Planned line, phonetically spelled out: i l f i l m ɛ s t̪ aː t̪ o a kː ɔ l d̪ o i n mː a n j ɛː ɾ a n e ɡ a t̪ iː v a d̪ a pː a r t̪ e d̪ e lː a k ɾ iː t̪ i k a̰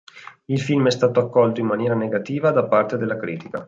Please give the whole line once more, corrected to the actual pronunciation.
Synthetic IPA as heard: i l f i l m ɛ s t̪ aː t̪ o a kː ɔ l t̪ o i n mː a n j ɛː ɾ a n e ɡ a t̪ iː v a d̪ a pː a r t̪ e d̪ e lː a k ɾ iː t̪ i k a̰